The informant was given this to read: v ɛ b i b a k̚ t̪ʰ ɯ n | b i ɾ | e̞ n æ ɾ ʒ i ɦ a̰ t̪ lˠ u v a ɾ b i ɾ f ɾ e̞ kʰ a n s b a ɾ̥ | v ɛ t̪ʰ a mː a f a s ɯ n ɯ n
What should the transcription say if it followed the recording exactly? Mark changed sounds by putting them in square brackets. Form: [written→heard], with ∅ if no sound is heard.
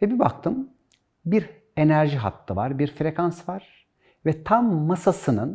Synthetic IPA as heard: v ɛ b i b a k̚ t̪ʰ ɯ [n→m] | b i ɾ | e̞ n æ ɾ ʒ i ɦ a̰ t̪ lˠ [u→ɯ] v a ɾ b i ɾ f ɾ e̞ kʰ a n s [b→v] a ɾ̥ | v ɛ t̪ʰ a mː a [f→s] a s ɯ n ɯ n